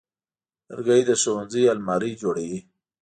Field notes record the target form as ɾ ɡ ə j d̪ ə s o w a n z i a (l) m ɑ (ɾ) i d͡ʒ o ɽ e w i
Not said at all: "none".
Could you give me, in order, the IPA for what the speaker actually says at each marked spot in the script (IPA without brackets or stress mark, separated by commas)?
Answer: l, ɾ